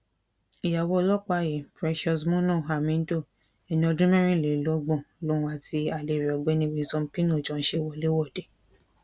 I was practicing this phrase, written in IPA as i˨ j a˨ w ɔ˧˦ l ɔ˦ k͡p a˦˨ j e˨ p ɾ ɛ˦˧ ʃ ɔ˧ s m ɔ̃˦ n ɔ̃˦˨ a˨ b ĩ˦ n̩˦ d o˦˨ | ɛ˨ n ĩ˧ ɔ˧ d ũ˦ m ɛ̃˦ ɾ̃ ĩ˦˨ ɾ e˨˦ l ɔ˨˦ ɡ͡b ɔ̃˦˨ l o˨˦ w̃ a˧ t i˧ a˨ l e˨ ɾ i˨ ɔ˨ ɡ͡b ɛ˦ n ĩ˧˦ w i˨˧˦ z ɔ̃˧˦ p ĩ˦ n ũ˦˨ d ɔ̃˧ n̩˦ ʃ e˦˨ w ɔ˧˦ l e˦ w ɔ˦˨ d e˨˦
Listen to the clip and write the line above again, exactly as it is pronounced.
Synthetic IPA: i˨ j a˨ w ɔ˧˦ l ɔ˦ k͡p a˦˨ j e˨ p ɾ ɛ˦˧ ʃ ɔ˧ s m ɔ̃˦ n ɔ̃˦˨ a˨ m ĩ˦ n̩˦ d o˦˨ | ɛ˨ n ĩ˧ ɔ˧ d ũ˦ m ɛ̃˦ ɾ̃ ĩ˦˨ l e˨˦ l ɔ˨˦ ɡ͡b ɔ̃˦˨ l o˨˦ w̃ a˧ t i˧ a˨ l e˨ ɾ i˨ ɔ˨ ɡ͡b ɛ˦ n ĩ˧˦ w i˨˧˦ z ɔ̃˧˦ p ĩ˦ n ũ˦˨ d͡ʒ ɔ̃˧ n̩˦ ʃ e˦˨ w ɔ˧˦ l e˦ w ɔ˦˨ d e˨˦